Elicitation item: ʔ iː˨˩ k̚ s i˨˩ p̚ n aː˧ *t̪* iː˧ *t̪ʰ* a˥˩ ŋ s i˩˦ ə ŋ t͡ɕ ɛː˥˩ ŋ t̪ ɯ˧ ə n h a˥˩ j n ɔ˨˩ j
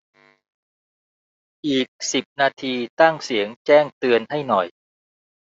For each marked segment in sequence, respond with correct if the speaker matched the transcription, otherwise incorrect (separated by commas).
incorrect, incorrect